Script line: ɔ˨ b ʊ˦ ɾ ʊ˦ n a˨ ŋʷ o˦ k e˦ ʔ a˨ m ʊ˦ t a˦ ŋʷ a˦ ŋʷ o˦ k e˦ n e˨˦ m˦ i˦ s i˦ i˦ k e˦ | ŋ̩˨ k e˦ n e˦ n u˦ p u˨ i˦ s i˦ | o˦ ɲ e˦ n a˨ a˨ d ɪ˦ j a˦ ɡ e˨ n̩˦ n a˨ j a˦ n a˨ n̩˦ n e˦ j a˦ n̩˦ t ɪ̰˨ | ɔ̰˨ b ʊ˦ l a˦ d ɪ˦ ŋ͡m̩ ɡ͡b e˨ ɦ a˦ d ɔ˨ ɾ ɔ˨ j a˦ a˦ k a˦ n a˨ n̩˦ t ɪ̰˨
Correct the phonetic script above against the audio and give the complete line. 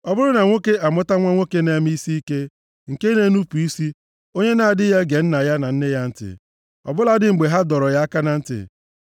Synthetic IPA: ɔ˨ b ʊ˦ ɾ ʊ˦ n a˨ ŋʷ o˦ k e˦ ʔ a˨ m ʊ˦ t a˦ ŋʷ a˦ ŋʷ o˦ k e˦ n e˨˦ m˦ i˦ s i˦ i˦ k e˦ | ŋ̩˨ k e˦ n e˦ n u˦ p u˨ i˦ s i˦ | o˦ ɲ e˦ n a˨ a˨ d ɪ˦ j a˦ ɡ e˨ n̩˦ n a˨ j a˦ n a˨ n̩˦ n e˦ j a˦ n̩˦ t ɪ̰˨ | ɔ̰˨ b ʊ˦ l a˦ d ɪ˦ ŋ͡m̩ ɡ͡b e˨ ɦ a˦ d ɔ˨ ɾ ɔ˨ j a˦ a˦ k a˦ n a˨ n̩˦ t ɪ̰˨

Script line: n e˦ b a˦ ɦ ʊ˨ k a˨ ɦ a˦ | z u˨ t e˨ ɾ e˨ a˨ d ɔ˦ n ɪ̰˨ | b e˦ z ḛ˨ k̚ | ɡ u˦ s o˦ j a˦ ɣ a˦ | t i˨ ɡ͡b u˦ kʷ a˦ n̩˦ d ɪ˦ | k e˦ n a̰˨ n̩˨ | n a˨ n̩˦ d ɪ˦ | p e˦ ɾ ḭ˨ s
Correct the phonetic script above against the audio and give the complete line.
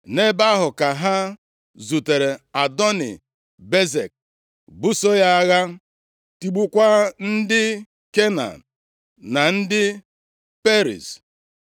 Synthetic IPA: n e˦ b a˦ ɦ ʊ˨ k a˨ ɦ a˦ | z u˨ t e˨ ɾ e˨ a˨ d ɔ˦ n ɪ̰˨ | b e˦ z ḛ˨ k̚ | b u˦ s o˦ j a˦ ɣ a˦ | t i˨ ɡ͡b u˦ kʷ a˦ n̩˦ d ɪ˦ | k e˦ n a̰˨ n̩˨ | n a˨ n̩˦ d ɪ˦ | p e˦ ɾ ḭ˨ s

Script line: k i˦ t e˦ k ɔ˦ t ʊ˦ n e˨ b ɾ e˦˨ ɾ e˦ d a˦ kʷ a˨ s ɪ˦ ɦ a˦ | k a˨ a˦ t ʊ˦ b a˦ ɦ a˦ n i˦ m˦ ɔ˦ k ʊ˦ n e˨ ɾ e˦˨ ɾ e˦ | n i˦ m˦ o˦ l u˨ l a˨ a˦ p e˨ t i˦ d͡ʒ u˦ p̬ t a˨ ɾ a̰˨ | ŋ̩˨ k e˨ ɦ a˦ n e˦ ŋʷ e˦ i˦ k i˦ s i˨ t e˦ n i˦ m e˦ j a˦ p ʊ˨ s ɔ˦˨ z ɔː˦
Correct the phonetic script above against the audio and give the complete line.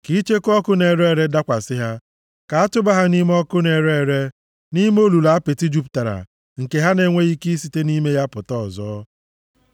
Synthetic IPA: k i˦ t͡ʃ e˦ k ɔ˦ k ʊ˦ n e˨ ɾ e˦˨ ɾ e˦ d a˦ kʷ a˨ s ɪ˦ ɦ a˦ | k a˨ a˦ t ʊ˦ b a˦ ɦ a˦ n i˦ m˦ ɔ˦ k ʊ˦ n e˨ ɾ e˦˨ ɾ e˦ | n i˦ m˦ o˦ l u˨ l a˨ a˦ p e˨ t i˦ d͡ʒ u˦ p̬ t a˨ ɾ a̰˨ | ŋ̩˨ k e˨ ɦ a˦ n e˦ ŋʷ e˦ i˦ k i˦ s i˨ t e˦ n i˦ m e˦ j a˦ p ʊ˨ t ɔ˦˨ z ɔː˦

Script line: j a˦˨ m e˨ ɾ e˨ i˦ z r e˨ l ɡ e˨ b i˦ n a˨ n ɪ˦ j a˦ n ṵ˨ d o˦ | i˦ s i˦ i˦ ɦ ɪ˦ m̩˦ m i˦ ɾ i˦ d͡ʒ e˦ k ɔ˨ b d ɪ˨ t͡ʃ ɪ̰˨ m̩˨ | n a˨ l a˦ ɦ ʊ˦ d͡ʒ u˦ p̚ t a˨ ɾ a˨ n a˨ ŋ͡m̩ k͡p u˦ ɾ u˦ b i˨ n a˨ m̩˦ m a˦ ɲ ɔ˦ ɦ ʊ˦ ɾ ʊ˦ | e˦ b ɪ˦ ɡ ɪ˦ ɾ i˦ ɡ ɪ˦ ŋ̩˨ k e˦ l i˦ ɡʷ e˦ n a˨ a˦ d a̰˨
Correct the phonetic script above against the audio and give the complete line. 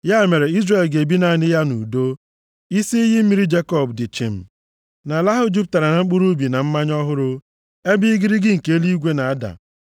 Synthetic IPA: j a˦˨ m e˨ ɾ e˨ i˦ z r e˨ l ɡ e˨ b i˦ n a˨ n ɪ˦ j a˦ n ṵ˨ d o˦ | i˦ s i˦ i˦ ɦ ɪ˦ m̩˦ m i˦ ɾ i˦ d͡ʒ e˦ k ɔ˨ b d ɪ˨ t͡ʃ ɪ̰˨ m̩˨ | n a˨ l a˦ ɦ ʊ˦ d͡ʒ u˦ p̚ t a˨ ɾ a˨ n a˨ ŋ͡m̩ k͡p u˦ ɾ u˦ b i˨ n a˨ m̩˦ m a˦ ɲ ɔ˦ ɦ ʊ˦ ɾ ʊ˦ | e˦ b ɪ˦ ɡ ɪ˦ ɾ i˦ ɡ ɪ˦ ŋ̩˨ k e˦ l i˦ ɡʷ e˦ n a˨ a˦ d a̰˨

